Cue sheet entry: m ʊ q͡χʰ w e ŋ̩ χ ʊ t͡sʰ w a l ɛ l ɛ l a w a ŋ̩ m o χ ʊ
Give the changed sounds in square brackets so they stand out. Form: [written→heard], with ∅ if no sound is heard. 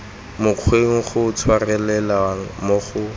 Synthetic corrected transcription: m ʊ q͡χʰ w e ŋ̩ χ ʊ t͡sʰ w a [l→r] ɛ l ɛ l a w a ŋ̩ m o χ ʊ

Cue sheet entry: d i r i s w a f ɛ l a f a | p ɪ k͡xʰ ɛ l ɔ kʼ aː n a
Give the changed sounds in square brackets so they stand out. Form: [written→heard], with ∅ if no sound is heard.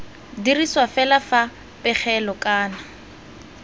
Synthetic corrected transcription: d i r i s w a f ɛ l a f a | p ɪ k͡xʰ ɛ l ɔ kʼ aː n a

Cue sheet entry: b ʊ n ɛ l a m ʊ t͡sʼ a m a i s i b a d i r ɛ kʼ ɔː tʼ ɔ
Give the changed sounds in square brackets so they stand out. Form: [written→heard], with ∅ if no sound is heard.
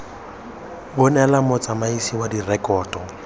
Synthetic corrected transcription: b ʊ n ɛ l a m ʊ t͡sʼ a m a i s i [b→w] a d i r ɛ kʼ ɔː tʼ ɔ

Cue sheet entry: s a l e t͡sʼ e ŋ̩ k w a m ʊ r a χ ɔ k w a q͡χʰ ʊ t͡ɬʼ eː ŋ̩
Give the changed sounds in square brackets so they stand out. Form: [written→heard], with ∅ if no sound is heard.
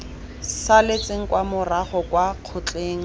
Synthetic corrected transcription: s a l e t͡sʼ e ŋ̩ k w a m ʊ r a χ ɔ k w a q͡χʰ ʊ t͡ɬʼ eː ŋ̩

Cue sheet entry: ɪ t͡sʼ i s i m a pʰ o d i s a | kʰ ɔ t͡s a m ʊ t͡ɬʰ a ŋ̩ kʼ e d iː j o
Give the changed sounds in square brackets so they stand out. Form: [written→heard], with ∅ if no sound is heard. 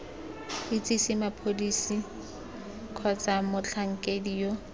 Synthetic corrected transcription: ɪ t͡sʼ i s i m a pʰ o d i s [a→i] | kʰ ɔ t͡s a m ʊ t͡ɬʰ a ŋ̩ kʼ e d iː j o

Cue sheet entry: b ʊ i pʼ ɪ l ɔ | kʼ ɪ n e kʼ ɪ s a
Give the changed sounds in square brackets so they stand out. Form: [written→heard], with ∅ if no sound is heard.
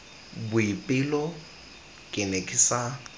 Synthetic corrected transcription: b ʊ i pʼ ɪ l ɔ | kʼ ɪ n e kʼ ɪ s a

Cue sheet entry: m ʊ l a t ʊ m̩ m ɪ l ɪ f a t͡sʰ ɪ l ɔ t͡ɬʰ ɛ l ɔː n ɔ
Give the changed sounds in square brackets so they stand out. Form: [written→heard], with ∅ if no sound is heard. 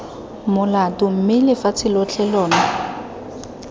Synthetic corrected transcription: m ʊ l a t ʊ m̩ m ɪ l ɪ f a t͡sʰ ɪ l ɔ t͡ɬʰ ɛ l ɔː n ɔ

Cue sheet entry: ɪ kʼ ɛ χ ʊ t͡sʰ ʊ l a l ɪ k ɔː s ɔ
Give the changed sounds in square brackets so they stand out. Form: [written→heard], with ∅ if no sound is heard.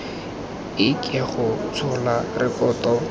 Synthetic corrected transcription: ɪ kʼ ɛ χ ʊ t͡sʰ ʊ l a [l→r] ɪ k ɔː [s→t] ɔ

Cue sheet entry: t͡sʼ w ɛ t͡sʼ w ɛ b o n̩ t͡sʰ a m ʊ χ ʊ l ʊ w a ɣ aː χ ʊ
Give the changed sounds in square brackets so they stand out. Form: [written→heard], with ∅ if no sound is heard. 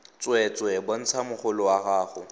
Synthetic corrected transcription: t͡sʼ w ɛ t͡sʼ w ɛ b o n̩ t͡sʰ a m ʊ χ ʊ l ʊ w a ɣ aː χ ʊ

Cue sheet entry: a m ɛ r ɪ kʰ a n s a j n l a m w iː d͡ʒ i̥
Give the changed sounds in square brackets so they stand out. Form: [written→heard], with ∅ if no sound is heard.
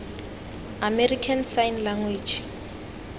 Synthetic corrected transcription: a m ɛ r [ɪ→i] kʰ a n s a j n l a [m→ŋ] w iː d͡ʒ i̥

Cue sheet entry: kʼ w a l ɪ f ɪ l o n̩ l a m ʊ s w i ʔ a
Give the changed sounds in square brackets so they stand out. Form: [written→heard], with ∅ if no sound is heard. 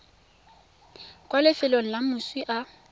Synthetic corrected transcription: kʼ w a l ɪ f ɪ l o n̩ l a m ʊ s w i ʔ a

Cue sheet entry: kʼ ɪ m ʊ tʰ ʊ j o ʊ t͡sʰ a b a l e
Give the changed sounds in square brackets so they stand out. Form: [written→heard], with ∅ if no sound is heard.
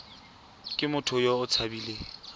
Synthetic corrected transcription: kʼ ɪ m ʊ tʰ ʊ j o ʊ t͡sʰ a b [a→i] l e

